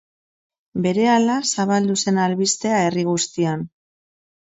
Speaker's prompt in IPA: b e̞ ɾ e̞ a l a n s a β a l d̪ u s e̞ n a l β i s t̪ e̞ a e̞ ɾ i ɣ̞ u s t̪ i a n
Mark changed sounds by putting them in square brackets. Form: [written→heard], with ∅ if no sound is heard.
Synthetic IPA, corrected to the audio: b e̞ ɾ e̞ a l a [n→∅] s a β a l d̪ u s e̞ n a l β i s t̪ e̞ a e̞ [ɾ→r] i ɣ̞ u s t̪ i a n

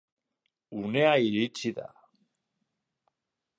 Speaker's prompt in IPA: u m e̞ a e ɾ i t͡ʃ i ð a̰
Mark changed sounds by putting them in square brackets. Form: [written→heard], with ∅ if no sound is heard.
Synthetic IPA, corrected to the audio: u [m→n] e̞ a [e→i] ɾ i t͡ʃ i ð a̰

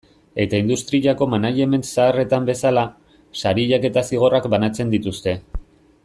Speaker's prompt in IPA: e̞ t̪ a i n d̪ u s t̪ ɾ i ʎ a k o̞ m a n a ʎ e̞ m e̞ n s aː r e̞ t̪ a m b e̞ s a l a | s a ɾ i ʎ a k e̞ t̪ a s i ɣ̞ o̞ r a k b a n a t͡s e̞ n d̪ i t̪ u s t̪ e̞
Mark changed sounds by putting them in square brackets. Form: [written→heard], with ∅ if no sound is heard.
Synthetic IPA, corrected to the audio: e̞ t̪ a i n d̪ u s t̪ ɾ i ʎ a k o̞ m a n a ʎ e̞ m e̞ n s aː r e̞ t̪ a m b e̞ s a l a | s a ɾ i ʎ a k e̞ t̪ a s i ɣ̞ o̞ r a k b a n a t͡s e̞ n d̪ i t̪ u s t̪ e̞

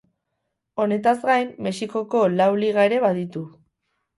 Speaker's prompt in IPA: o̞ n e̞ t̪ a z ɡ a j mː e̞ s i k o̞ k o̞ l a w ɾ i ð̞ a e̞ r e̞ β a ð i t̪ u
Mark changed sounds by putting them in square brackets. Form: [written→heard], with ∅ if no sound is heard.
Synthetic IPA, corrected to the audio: o̞ n e̞ t̪ a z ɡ a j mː e̞ s i k o̞ k o̞ l a w [ɾ→l] i [ð̞→ɣ̞] a e̞ [r→ɾ] e̞ β a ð i t̪ u

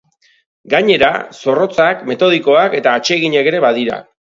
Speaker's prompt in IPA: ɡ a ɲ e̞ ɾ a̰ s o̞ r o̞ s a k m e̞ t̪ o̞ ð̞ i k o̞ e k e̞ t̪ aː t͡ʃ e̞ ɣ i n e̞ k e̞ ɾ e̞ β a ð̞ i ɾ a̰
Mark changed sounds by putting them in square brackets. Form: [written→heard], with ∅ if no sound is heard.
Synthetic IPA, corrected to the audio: ɡ a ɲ e̞ ɾ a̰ s o̞ r o̞ [s→t͡s] a k m e̞ t̪ o̞ ð̞ i k o̞ [e→a] k e̞ t̪ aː t͡ʃ e̞ ɣ i [n→ɲ] e̞ k e̞ ɾ e̞ β a ð̞ i ɾ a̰

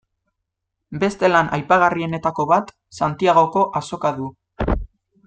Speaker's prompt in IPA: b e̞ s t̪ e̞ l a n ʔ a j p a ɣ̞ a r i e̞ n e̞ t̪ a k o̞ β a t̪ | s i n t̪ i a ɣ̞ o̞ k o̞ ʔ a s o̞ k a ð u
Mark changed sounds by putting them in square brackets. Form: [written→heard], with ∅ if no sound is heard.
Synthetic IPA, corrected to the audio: b e̞ s t̪ e̞ l a n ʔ a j p a ɣ̞ a r i e̞ n e̞ t̪ a k o̞ β a t̪ | s [i→a] n t̪ i a ɣ̞ o̞ k o̞ ʔ a s o̞ k a ð u

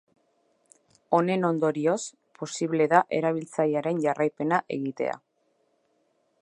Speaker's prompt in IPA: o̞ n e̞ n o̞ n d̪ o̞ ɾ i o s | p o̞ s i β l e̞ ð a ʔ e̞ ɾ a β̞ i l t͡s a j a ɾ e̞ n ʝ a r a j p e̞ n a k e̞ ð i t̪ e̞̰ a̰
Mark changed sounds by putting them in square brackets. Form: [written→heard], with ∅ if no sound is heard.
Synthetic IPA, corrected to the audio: o̞ n e̞ n o̞ n d̪ o̞ ɾ i o s | p o̞ s i β l e̞ ð a ʔ e̞ ɾ a β̞ i l t͡s a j a ɾ e̞ n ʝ a r a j p e̞ n a [k→ʔ] e̞ [ð→ɣ] i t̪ e̞̰ a̰

